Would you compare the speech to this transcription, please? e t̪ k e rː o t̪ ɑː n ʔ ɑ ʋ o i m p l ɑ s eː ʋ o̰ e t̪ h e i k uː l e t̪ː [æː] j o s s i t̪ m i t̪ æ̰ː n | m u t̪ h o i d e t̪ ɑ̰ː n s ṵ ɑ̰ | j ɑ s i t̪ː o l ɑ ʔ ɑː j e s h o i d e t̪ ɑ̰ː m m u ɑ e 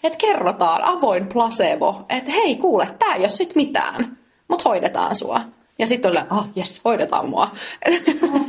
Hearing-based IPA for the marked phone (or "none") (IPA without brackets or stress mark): æː